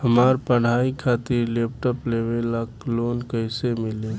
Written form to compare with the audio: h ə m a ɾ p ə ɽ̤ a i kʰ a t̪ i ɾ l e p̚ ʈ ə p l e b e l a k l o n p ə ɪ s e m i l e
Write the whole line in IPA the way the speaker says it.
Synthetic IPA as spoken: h ə m a ɾ p ə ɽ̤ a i kʰ a t̪ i ɾ l e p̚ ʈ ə p l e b e l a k l o n k ə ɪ s e m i l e